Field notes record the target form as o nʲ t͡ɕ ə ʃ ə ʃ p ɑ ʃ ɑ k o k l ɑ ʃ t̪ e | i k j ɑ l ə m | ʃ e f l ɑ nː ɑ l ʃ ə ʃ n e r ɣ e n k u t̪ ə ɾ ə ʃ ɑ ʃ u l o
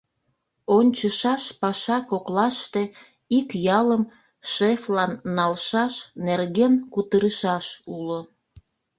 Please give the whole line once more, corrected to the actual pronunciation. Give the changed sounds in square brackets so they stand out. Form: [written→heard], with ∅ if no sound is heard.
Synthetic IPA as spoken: o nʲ t͡ɕ ə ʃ [ə→ɑ] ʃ p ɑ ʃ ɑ k o k l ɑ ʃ t̪ e | i k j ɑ l ə m | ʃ e f l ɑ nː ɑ l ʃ [ə→ɑ] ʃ n e r ɣ e n k u t̪ ə ɾ ə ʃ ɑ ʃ u l o